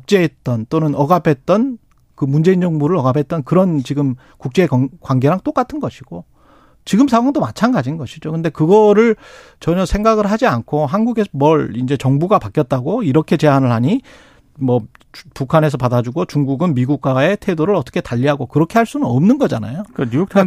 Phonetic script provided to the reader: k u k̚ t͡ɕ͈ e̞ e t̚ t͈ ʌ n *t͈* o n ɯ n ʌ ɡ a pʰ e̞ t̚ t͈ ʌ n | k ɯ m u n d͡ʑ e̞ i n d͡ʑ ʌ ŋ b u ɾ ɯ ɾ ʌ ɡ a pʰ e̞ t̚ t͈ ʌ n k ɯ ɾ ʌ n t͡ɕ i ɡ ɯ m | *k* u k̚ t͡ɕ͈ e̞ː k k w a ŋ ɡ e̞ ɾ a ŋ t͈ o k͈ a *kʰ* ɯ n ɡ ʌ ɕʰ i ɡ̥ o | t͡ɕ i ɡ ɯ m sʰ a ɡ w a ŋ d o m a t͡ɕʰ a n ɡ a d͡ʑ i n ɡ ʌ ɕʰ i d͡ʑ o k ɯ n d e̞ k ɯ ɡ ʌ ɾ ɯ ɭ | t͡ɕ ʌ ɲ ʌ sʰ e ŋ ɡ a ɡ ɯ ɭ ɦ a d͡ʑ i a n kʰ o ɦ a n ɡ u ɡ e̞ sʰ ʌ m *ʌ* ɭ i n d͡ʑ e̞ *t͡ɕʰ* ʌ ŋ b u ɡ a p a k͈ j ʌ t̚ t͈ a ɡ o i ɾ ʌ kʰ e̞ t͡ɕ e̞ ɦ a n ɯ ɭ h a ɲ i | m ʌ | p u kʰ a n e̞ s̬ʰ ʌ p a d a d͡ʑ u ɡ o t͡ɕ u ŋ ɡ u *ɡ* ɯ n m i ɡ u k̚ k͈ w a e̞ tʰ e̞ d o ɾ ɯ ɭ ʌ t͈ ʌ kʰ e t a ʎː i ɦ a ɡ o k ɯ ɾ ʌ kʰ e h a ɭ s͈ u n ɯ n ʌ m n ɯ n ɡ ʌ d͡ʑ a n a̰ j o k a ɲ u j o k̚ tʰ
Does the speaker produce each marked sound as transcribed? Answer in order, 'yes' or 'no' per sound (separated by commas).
yes, yes, no, yes, no, yes